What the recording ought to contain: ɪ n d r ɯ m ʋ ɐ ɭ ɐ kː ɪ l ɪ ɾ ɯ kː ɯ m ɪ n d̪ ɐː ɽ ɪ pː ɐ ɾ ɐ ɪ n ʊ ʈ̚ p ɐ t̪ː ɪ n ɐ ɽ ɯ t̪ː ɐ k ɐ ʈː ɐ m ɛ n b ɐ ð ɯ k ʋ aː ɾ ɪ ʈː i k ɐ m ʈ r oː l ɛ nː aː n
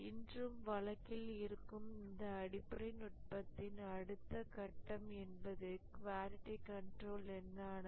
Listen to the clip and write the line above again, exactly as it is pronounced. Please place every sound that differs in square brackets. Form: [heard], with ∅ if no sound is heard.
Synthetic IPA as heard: ɪ n d r ɯ m ʋ ɐ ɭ ɐ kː ɪ l ɪ ɾ ɯ kː ɯ m ɪ n d̪ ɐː ɽ ɪ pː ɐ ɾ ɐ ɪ n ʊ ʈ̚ p ɐ t̪ː ɪ n ɐ ɽ ɯ t̪ː ɐ k ɐ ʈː ɐ m ɛ n b ɐ ð ɯ k ʋ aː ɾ ɪ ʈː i k ɐ [ɳ] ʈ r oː l ɛ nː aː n

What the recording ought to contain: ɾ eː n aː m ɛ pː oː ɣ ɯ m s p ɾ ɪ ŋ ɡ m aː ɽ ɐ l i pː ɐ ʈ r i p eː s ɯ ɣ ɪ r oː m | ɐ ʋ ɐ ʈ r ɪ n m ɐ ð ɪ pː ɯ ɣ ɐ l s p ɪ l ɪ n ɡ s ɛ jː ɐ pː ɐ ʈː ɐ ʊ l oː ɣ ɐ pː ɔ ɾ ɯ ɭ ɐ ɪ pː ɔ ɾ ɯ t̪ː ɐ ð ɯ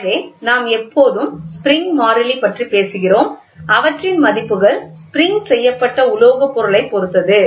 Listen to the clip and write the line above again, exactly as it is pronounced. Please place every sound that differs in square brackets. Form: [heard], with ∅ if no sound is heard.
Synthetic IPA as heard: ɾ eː n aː m ɛ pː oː [ð] ɯ m s p ɾ ɪ ŋ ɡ m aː [ɾ] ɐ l i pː ɐ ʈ r i p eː s ɯ ɣ ɪ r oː m | ɐ ʋ ɐ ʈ r ɪ n m ɐ ð ɪ pː ɯ ɣ ɐ [ɭ] s p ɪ [ɾ] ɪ [ŋ] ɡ s ɛ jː ɐ pː ɐ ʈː ɐ ʊ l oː ɣ ɐ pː ɔ ɾ ɯ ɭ ɐ ɪ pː ɔ ɾ ɯ t̪ː ɐ ð ɯ

